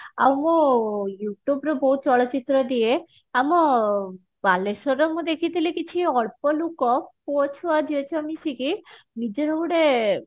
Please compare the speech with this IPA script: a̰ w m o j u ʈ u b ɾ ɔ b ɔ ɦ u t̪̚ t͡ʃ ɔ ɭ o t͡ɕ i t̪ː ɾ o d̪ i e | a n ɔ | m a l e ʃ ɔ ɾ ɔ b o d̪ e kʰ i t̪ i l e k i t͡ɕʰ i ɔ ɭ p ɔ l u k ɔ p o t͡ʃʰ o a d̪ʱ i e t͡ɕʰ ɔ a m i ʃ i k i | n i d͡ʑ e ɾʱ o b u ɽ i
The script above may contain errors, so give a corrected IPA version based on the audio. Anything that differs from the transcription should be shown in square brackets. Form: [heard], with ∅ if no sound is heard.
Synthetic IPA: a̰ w m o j u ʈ u b ɾ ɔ b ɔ ɦ u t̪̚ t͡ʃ ɔ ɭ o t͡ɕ i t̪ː ɾ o d̪ i e | a [m] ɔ | [b] a l e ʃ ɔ ɾ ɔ [m] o d̪ e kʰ i t̪ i l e k i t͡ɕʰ i ɔ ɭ p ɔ l u k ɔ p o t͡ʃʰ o a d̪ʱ i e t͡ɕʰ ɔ a m i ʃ i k i | n i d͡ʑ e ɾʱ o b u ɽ [e]